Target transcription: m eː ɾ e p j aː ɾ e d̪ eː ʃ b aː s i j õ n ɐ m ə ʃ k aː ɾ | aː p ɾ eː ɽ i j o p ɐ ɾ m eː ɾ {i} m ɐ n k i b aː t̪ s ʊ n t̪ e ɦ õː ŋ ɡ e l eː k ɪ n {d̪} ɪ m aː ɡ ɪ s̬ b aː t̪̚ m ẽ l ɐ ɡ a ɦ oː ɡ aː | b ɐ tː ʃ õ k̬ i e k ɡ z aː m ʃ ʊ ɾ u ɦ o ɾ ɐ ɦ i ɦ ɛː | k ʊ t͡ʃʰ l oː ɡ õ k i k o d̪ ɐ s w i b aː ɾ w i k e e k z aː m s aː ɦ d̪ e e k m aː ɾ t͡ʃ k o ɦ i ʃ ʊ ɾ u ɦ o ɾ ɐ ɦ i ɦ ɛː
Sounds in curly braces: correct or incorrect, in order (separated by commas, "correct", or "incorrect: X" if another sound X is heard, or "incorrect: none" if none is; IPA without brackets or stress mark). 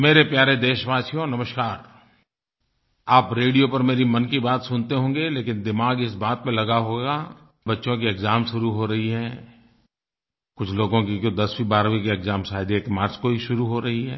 correct, correct